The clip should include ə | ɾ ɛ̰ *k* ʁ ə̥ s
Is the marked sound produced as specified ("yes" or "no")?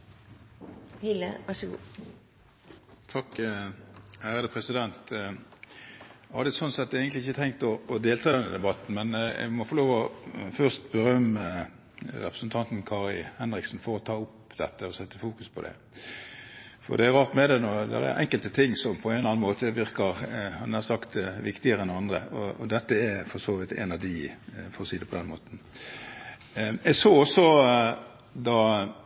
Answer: no